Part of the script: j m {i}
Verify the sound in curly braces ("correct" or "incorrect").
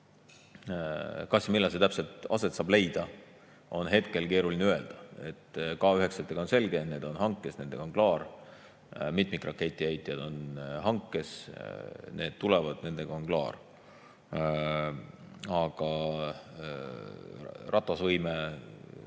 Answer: incorrect